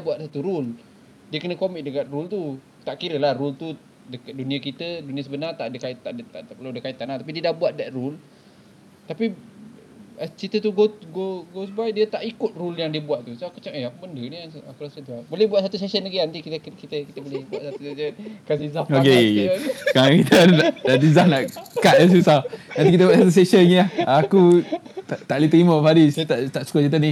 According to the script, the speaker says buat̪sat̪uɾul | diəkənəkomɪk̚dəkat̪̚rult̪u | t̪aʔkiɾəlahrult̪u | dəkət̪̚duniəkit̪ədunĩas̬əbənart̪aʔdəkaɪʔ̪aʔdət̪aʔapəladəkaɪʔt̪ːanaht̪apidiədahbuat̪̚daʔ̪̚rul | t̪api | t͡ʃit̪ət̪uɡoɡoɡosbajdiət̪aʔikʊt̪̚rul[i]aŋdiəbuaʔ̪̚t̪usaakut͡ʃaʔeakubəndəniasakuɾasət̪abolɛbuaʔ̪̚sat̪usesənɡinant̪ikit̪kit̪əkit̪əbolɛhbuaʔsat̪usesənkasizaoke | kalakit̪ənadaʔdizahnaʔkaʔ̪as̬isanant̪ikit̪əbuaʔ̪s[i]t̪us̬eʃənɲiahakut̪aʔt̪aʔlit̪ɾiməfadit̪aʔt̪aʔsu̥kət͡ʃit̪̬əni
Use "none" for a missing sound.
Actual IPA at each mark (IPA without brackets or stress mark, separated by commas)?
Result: j, a